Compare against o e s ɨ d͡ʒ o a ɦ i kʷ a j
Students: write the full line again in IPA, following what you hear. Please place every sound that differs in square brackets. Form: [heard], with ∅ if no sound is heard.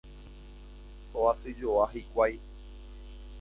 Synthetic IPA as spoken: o [a] s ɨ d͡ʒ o a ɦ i kʷ a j